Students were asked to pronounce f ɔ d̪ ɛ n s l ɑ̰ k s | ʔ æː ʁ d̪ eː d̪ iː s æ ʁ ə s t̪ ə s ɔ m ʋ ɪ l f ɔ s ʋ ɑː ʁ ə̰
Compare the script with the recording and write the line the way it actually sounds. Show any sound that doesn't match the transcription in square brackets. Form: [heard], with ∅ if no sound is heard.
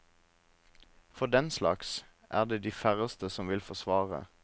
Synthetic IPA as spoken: f ɔ d̪ ɛ n s l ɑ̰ k s | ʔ æː ʁ d̪ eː d̪ iː [f] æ ʁ ə s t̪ ə s ɔ m ʋ ɪ l f ɔ s ʋ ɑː ʁ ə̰